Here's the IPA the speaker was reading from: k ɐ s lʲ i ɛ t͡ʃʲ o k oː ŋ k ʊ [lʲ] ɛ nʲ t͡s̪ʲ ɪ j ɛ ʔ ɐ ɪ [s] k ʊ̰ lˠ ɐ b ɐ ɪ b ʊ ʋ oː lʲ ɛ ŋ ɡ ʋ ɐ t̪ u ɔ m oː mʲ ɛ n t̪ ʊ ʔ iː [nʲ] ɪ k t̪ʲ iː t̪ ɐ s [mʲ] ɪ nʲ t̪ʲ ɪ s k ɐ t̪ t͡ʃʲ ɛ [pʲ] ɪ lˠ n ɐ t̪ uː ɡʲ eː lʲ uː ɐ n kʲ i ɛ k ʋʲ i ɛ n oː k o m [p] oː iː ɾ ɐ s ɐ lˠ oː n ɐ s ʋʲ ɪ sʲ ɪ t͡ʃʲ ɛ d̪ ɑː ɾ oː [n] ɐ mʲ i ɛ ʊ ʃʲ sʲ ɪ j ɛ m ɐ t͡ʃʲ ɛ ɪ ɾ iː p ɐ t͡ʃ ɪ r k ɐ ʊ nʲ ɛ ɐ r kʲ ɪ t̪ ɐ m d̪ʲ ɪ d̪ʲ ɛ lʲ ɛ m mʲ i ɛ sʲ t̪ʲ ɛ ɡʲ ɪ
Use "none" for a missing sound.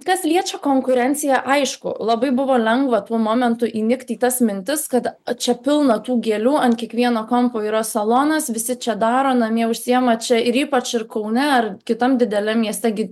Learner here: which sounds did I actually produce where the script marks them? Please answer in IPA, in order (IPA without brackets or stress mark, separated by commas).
ɾʲ, ʃ, nʲ, mʲ, pʲ, p, n